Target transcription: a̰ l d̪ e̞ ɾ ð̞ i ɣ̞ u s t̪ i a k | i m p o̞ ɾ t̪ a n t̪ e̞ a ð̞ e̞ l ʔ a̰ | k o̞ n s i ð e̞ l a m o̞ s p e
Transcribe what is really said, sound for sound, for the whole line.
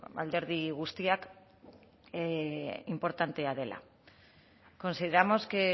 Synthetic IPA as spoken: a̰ l d̪ e̞ ɾ ð̞ i ɣ̞ u s t̪ i a k | i m p o̞ ɾ t̪ a n t̪ e̞ a ð̞ e̞ l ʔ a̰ | k o̞ n s i ð e̞ ɾ a m o̞ s k e